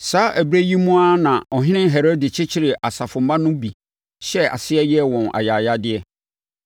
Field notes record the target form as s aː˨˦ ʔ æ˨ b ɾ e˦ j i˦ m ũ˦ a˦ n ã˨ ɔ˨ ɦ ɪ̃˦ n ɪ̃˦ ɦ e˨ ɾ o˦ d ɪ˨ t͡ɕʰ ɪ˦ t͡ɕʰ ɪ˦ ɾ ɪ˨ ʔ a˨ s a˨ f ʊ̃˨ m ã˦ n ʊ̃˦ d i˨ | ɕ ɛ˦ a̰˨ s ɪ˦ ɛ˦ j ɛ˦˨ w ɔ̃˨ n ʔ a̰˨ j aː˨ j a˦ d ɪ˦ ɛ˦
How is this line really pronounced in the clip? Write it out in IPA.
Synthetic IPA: s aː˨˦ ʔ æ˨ b ɾ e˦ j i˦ m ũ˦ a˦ n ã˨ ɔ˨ ɦ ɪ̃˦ n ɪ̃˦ ɦ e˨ ɾ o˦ d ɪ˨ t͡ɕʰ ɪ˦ t͡ɕʰ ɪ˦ ɾ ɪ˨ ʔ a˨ s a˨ f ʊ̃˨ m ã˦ n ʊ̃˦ b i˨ | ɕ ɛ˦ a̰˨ s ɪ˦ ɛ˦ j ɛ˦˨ w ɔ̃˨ n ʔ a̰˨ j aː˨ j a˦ d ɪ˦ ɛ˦